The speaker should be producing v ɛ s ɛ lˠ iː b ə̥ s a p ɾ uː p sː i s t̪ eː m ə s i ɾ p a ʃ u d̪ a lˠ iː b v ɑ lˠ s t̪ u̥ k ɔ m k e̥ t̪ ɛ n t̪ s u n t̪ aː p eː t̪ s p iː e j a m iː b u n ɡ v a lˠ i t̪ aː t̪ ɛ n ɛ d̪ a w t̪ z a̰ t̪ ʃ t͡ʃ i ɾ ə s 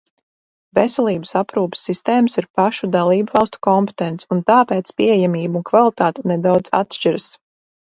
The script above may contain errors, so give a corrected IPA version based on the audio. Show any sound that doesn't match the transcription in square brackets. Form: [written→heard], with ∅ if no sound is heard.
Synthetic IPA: v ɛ s ɛ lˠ iː b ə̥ s a p ɾ uː p sː i s t̪ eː m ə s i ɾ p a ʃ u d̪ a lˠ iː b v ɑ lˠ s t̪ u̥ k ɔ m [k→p] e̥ t̪ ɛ n t̪ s u n t̪ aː p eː t̪ s p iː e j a m iː b u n [ɡ→k] v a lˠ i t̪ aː t̪ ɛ n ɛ d̪ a w [t̪→d̪] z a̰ t̪ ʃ t͡ʃ i ɾ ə s